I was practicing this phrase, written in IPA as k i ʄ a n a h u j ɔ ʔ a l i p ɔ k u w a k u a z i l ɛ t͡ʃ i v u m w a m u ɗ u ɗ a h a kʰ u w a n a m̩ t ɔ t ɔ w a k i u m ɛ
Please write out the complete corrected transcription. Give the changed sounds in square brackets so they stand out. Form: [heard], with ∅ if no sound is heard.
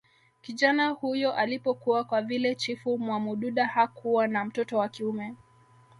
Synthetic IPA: k i ʄ a n a h u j ɔ ʔ a l i p ɔ k u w a k [w] a [v] i l ɛ t͡ʃ i [f] u m w a m u ɗ u ɗ a h a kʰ u w a n a m̩ t ɔ t ɔ w a k i u m ɛ